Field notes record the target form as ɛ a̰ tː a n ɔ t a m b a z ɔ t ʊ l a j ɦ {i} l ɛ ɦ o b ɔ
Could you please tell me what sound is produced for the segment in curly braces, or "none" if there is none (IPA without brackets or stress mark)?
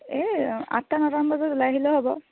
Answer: i